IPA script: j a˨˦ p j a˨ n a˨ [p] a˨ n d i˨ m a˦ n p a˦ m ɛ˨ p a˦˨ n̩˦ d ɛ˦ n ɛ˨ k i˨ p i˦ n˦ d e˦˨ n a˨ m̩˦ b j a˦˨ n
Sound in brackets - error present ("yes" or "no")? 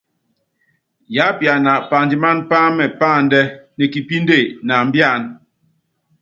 no